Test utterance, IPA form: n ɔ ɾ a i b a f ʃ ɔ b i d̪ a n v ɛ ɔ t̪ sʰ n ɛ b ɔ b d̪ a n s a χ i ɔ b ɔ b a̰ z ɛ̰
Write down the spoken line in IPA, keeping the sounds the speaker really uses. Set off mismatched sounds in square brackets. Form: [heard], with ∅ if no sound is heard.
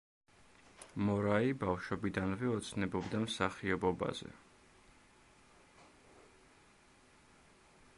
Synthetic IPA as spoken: [m] ɔ ɾ a i b a f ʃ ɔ b i d̪ a n v ɛ ɔ t̪ sʰ n ɛ b ɔ b d̪ a [m] s a χ i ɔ b ɔ b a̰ z ɛ̰